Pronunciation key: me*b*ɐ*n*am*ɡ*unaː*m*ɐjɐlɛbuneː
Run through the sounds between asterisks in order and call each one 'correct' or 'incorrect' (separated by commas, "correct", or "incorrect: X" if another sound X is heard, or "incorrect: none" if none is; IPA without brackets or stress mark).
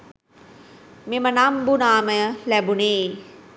incorrect: m, correct, incorrect: b, correct